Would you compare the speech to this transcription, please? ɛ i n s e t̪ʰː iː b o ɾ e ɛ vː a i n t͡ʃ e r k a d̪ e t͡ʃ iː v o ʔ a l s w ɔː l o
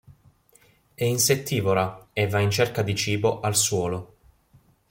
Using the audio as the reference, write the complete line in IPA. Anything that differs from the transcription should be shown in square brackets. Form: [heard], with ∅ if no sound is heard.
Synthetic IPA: ɛ i n s e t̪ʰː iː [v] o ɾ [a] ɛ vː a i n t͡ʃ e r k a d̪ [i] t͡ʃ iː [b] o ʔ a l s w ɔː l o